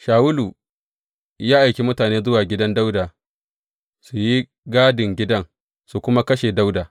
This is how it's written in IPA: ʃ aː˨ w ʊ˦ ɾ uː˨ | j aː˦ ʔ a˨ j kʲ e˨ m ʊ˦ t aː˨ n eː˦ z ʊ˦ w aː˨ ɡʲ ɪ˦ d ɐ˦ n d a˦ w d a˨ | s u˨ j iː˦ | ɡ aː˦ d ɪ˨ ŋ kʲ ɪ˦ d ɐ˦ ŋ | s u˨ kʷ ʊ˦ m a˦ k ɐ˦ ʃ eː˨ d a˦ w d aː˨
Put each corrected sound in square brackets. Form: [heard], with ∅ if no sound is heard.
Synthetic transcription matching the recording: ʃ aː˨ w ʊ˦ [l] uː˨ | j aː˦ ʔ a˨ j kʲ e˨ m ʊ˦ t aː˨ n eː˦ z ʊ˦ w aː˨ ɡʲ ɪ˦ d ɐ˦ n d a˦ w d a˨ | s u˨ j [i˦] | ɡ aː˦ d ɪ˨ ŋ [ɡʲ] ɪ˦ d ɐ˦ ŋ | s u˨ kʷ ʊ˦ m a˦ k ɐ˦ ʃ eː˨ d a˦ w d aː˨